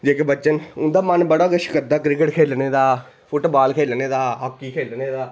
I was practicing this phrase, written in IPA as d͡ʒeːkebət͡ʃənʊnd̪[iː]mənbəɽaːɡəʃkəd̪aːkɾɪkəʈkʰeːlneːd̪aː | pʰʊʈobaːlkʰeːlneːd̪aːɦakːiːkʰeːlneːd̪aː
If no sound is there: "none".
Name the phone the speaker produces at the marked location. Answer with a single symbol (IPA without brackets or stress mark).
aː